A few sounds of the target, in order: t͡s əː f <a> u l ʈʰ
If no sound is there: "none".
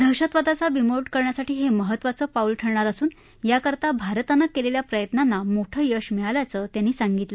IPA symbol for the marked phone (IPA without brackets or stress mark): a